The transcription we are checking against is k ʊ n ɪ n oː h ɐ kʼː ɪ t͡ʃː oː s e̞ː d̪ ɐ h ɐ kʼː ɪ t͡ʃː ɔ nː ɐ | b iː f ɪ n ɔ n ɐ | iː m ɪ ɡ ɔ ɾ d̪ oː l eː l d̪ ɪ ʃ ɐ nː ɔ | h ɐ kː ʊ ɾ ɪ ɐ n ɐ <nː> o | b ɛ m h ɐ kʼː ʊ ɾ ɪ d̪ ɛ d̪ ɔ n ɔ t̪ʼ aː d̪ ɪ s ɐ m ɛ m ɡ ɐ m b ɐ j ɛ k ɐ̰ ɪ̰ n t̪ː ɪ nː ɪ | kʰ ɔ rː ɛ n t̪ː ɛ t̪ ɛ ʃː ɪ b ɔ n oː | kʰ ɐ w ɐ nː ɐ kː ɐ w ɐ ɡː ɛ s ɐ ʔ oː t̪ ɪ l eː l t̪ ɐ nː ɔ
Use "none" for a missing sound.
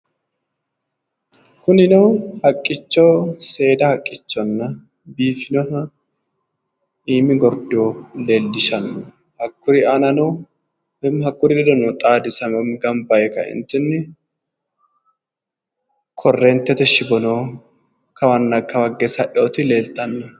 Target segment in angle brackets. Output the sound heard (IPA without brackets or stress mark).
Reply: n